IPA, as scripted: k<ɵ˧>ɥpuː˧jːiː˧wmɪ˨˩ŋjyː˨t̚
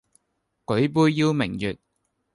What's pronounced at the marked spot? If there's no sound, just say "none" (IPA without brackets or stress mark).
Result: ɵ˨˥